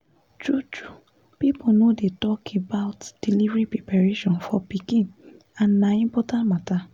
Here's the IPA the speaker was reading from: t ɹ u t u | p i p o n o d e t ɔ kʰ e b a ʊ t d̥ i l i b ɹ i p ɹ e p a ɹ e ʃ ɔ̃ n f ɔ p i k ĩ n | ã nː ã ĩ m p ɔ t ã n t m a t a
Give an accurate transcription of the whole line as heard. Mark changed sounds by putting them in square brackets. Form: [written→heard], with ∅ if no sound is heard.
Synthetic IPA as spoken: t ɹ u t u | p i p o n o d e t ɔ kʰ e b a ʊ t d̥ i l i [b→v] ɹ i p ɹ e p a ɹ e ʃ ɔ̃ n f ɔ p i k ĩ n | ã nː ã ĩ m p ɔ t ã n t m a t a